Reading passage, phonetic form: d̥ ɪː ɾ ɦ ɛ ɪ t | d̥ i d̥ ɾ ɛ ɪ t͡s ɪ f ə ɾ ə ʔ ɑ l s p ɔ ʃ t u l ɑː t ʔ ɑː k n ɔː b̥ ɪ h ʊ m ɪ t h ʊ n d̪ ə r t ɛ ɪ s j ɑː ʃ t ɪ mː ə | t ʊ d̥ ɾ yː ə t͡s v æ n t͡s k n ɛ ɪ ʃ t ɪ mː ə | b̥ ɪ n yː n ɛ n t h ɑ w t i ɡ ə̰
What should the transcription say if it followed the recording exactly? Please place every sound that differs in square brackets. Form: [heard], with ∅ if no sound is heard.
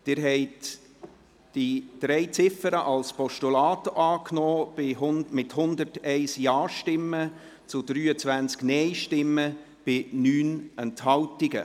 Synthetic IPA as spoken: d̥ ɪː ɾ ɦ ɛ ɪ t | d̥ i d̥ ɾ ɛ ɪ t͡s ɪ f ə ɾ ə ʔ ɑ l s p ɔ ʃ t u l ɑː t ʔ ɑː k n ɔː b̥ ɪ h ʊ m ɪ t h ʊ n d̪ ə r t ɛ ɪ s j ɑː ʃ t ɪ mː ə | [t͡s] ʊ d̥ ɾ yː ə t͡s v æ n t͡s k n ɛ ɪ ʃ t ɪ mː ə | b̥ ɪ n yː n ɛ n t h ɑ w t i ɡ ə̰